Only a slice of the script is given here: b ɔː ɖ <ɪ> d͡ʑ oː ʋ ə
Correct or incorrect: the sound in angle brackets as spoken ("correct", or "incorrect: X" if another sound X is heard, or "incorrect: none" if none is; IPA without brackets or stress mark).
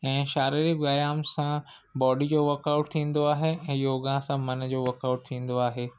incorrect: i